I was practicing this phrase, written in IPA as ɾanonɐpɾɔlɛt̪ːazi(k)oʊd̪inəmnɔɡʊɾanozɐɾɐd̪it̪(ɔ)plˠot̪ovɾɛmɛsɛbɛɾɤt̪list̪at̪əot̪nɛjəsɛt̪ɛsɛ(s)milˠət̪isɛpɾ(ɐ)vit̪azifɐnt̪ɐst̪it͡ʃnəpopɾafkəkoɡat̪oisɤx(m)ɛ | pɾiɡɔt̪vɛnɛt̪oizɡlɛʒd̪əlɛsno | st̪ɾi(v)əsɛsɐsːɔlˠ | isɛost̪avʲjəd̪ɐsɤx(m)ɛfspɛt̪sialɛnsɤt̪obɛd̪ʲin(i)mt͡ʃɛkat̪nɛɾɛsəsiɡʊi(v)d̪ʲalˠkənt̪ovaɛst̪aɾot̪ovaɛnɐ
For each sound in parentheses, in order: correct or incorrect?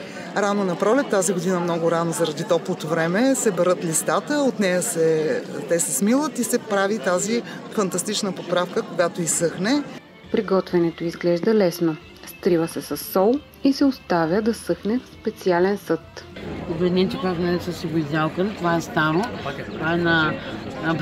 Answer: incorrect, correct, correct, incorrect, incorrect, correct, incorrect, incorrect, incorrect

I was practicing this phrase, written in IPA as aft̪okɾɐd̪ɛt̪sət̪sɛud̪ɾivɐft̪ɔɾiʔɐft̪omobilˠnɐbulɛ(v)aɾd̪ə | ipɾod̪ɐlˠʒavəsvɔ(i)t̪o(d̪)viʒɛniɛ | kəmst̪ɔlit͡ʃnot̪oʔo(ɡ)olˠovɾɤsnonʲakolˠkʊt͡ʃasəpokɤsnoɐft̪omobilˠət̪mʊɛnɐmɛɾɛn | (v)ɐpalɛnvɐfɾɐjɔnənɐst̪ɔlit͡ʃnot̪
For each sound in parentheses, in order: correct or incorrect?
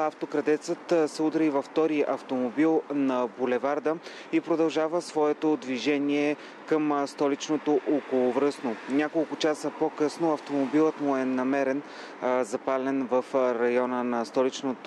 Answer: correct, incorrect, correct, incorrect, incorrect

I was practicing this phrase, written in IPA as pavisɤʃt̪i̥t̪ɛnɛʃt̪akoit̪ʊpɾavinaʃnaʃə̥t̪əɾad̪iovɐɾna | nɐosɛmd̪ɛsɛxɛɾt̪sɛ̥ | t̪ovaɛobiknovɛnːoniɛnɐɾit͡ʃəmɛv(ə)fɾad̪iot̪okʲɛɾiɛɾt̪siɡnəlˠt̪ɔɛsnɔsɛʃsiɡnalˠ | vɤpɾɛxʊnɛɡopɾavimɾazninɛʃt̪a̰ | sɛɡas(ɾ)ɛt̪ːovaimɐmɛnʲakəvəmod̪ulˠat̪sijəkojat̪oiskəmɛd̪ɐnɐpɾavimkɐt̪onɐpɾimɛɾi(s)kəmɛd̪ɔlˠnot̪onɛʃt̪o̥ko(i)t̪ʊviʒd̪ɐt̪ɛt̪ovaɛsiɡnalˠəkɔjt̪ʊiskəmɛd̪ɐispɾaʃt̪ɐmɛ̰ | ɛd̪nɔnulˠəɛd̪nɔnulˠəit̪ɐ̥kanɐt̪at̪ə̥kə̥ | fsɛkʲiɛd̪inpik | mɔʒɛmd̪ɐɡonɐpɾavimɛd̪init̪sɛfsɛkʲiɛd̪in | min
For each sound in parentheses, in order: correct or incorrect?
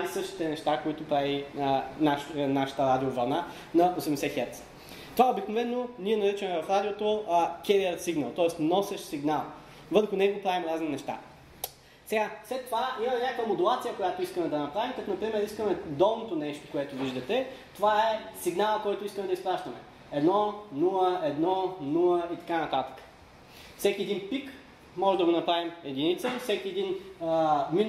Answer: incorrect, incorrect, correct, incorrect

